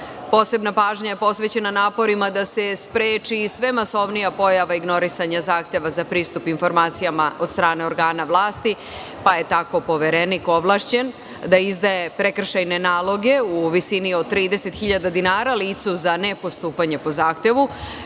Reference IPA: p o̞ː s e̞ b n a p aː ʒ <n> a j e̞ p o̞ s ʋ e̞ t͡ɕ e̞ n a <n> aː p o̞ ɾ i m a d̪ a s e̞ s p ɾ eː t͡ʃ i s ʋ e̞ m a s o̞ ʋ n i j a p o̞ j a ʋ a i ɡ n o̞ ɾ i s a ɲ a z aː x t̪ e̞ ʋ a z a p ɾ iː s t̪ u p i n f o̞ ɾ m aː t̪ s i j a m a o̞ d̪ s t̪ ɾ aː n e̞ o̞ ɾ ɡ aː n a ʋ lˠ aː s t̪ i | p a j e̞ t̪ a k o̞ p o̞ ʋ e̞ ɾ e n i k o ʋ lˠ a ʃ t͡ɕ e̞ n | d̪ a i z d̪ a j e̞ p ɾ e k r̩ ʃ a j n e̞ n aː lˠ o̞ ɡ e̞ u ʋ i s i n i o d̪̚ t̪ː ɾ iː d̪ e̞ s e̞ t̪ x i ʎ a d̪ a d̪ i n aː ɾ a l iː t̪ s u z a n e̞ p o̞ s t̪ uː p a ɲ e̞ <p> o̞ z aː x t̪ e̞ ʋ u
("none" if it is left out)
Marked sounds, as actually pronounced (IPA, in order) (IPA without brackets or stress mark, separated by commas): ɲ, n, p